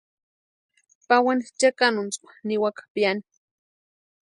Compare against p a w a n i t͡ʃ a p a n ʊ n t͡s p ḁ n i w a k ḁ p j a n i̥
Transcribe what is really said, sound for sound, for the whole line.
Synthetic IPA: p a w a n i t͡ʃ a k a n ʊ n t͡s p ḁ n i w a k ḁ p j a n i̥